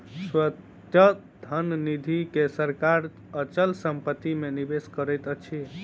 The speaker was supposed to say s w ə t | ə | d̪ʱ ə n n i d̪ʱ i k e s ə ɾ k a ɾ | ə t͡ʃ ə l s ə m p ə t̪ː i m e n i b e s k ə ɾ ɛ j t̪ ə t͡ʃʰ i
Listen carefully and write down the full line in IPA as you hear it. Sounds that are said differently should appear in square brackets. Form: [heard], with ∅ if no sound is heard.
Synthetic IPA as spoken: s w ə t | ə | d̪ʱ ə n n i d̪ʱ i k e s ə ɾ k a ɾ | ə t͡ʃ ə l s ə m p ə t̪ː i m e n i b e s k ə ɾ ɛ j t̪ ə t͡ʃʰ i